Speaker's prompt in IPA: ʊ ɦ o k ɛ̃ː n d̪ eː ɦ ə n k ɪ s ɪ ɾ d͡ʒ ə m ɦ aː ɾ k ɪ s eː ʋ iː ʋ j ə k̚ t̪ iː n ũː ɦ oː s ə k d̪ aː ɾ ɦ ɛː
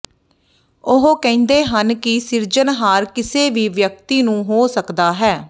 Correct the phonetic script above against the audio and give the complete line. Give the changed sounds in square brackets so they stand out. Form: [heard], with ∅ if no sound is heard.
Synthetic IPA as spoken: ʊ ɦ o k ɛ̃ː n d̪ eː ɦ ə n k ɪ s ɪ ɾ d͡ʒ ə [n] ɦ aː ɾ k ɪ s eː ʋ iː ʋ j ə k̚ t̪ iː n ũː ɦ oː s ə k d̪ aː [∅] ɦ ɛː